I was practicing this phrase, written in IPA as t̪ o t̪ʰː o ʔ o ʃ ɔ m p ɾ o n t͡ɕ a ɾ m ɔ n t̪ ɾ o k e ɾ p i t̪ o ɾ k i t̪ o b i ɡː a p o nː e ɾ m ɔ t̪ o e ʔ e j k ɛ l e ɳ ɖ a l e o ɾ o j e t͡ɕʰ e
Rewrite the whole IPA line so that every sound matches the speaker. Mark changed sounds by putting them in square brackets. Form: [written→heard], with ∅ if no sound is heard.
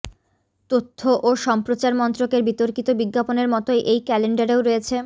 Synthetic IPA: t̪ o t̪ʰː o ʔ o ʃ ɔ m p ɾ o [n→∅] t͡ɕ a ɾ m ɔ n t̪ ɾ o k e ɾ [p→b] i t̪ o ɾ k i t̪ o b i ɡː a p o [nː→n] e ɾ m ɔ t̪ o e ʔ e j k ɛ l e ɳ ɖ a [l→ɾ] e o ɾ o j e t͡ɕʰ e